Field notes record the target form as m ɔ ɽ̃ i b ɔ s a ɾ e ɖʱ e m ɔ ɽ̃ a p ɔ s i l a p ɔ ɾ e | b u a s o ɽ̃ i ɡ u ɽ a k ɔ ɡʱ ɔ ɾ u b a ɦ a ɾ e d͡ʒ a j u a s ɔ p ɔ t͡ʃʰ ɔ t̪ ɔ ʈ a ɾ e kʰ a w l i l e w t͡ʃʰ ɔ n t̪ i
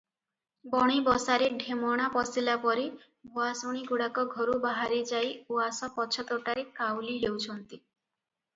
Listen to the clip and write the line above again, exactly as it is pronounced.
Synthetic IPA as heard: b ɔ ɽ̃ i b ɔ s a ɾ e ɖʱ e m ɔ ɽ̃ a p ɔ s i l a p ɔ ɾ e | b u a s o ɽ̃ i ɡ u ɽ a k ɔ ɡʱ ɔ ɾ u b a ɦ a ɾ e d͡ʒ a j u a s ɔ p ɔ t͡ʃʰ ɔ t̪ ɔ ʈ a ɾ e k a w l i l e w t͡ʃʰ ɔ n t̪ i